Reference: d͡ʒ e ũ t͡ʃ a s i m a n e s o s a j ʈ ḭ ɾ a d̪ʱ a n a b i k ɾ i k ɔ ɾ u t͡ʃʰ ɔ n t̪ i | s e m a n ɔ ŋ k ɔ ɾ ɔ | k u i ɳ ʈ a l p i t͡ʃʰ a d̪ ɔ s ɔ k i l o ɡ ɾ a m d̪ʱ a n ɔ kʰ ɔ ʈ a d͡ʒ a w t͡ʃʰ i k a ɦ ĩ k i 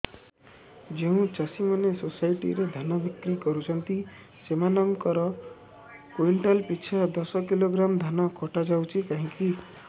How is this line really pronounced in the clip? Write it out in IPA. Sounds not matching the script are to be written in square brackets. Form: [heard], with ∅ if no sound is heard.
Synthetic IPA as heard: d͡ʒ e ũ t͡ʃ a s i m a n e s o s a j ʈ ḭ ɾ [e] d̪ʱ a n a b i k ɾ i k ɔ ɾ u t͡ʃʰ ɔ n t̪ i | s e m a n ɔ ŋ k ɔ ɾ ɔ | k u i ɳ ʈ a l p i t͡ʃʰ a d̪ ɔ s ɔ k i l o ɡ ɾ a m d̪ʱ a n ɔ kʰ ɔ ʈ a d͡ʒ a w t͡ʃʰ i k a ɦ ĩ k i